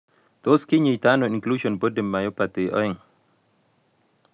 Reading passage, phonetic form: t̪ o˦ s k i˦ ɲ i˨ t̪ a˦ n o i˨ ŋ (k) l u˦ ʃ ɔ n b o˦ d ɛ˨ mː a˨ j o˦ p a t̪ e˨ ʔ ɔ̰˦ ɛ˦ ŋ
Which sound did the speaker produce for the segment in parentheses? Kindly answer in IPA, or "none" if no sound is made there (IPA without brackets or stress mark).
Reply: k